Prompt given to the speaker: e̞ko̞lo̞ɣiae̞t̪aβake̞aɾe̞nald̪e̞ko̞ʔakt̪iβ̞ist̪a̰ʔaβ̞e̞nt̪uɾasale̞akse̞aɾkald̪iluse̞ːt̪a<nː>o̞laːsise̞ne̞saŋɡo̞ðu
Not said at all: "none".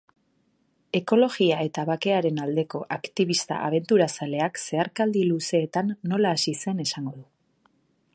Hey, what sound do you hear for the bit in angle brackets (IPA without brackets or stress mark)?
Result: nː